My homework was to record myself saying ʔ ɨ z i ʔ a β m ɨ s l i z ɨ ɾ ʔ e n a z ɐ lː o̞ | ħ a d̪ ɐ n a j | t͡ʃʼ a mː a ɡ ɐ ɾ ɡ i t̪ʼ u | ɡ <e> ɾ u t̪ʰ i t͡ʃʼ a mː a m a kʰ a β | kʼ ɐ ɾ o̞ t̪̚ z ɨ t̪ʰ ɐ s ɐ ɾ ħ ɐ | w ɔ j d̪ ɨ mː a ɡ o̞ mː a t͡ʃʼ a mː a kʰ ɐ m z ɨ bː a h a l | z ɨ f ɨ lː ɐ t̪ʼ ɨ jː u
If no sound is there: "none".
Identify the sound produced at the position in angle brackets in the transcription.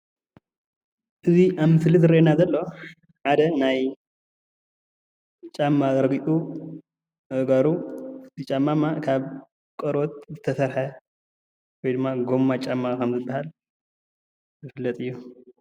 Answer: a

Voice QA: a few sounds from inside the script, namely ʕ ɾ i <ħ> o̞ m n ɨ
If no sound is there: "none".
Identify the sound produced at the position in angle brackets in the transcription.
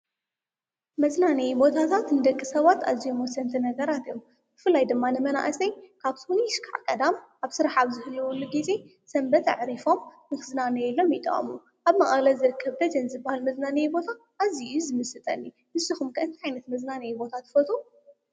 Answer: f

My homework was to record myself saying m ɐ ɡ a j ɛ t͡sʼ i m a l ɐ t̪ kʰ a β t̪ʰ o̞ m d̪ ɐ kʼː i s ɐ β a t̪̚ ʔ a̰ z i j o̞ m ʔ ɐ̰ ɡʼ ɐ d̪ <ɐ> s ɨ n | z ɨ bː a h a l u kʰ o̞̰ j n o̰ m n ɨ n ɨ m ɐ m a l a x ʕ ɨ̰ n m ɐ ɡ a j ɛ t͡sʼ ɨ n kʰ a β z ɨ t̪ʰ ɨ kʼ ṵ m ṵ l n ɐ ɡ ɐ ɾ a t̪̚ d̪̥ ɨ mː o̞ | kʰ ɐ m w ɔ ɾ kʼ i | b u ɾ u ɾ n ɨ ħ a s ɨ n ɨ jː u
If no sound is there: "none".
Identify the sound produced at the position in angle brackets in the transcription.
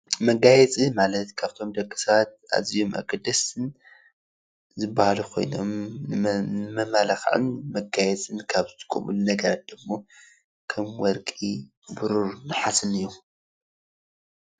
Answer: ɐ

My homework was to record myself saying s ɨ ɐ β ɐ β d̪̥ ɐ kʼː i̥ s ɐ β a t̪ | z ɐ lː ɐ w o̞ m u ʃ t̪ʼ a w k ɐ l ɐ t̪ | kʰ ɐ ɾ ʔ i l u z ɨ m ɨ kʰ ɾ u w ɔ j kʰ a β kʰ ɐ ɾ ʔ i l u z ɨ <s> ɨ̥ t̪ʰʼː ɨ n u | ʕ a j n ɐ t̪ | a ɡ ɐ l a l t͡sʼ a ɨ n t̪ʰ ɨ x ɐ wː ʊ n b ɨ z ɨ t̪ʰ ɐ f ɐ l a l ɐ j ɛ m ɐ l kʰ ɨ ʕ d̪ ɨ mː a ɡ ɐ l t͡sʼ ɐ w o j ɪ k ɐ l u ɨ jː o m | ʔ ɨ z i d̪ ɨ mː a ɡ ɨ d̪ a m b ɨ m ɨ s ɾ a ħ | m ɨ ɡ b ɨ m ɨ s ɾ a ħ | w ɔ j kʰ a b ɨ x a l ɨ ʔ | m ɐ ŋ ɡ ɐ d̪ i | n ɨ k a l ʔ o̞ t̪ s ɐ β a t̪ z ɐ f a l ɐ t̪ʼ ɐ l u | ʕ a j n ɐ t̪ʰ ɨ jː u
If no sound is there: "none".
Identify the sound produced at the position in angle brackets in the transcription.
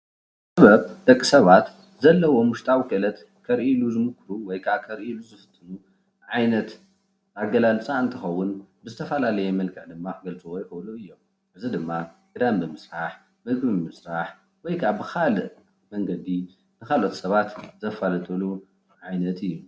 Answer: f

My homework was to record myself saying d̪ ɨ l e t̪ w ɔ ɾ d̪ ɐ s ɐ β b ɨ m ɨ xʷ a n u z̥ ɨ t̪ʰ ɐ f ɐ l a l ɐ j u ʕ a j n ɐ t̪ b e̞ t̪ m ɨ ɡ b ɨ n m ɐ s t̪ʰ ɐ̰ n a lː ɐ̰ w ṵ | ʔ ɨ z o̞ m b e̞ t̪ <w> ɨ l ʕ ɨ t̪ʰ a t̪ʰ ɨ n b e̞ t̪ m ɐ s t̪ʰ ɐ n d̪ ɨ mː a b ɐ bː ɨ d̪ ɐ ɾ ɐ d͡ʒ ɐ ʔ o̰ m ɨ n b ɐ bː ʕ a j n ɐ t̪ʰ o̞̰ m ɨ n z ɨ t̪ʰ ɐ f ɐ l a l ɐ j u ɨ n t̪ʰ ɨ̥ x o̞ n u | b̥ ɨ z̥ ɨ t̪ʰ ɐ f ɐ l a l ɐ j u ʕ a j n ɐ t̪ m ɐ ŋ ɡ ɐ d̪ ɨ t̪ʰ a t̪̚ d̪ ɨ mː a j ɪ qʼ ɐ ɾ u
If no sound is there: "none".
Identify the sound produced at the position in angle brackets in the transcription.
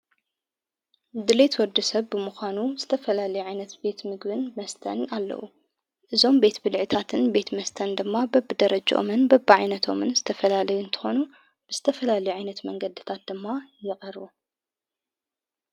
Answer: b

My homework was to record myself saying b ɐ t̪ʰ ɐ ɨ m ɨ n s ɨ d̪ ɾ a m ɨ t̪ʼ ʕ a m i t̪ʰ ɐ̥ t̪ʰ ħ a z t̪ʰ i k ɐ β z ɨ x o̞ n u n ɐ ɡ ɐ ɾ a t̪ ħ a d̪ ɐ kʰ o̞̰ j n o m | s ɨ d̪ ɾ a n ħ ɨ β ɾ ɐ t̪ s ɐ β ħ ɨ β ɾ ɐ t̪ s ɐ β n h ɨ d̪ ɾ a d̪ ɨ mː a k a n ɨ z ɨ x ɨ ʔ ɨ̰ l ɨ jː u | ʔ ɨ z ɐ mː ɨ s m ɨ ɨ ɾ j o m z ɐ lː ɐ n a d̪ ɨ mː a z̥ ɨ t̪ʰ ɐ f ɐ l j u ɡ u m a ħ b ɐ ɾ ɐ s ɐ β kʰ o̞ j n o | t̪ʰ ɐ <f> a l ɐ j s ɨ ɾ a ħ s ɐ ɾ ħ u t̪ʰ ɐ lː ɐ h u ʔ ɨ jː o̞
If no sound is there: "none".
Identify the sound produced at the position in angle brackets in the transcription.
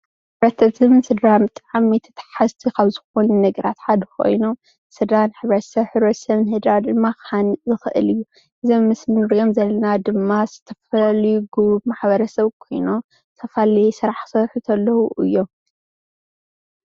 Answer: f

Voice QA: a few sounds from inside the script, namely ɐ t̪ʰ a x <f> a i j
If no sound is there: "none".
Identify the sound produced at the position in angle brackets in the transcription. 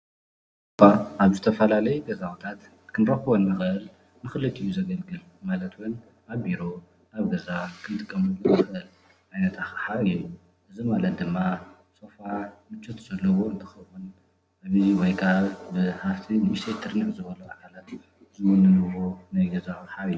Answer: ħ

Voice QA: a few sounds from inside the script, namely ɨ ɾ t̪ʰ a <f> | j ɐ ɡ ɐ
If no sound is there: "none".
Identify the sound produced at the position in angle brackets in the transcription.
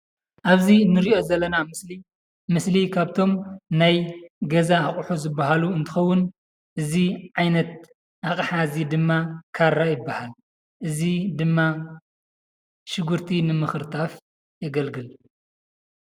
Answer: f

